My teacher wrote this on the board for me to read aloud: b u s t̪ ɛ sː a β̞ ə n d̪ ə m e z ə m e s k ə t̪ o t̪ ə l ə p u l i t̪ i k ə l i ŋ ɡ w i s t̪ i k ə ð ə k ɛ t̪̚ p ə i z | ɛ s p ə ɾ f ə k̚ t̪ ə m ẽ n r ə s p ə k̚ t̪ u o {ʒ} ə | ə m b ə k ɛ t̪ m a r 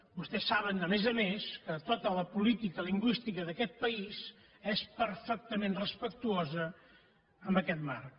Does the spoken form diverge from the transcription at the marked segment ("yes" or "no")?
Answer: yes